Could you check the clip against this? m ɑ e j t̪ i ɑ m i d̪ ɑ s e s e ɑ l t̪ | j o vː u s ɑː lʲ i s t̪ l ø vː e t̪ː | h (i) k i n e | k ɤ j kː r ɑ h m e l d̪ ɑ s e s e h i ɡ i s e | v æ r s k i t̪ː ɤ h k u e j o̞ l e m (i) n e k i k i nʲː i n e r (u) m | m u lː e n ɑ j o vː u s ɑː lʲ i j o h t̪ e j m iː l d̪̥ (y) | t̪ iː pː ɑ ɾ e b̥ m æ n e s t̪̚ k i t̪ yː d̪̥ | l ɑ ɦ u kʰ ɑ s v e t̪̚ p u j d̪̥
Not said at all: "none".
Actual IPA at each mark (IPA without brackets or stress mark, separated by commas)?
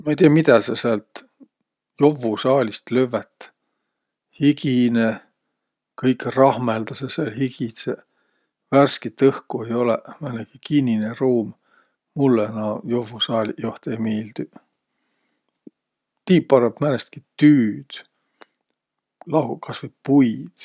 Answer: i, æ, uː, y